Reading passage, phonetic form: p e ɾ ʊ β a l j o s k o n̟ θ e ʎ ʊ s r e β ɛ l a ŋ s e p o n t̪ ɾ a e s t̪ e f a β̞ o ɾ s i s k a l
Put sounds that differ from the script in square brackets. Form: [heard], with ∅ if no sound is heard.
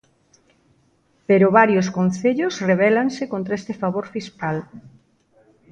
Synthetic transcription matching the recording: p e ɾ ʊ β a [ɾ] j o s k o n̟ θ e ʎ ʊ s r e β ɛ l a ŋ s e [k] o n t̪ ɾ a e s t̪ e f a β̞ o ɾ [f] i s k a l